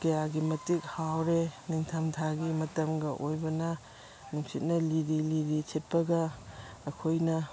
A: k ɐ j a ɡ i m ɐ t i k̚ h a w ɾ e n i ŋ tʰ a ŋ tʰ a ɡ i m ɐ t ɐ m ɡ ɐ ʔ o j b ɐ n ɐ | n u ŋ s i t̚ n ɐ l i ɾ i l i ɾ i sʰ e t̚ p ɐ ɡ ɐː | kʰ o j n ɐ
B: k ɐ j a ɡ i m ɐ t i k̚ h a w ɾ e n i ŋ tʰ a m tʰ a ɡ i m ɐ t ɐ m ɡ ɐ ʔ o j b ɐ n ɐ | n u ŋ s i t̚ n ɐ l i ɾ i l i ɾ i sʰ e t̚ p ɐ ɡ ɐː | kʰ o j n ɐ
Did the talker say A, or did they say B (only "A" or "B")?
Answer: B